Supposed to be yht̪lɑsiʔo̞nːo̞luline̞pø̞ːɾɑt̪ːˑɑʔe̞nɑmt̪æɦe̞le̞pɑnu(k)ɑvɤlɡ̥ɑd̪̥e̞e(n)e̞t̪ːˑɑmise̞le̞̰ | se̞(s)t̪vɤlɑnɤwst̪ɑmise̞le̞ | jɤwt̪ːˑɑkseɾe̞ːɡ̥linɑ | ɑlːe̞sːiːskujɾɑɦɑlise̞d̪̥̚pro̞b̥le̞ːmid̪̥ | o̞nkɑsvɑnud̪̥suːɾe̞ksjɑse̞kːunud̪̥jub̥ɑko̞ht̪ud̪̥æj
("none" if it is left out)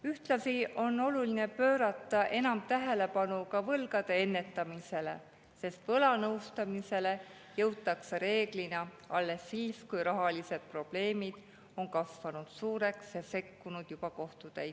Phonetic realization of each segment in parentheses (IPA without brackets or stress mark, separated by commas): k, nː, s